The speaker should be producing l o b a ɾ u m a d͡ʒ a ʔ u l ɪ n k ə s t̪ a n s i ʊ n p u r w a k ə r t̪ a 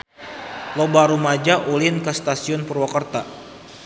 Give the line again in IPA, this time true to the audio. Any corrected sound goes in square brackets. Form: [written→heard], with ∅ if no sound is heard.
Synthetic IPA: l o b a ɾ u m a d͡ʒ a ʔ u l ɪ n k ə s t̪ a [n→∅] s i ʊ n p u r w a k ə r t̪ a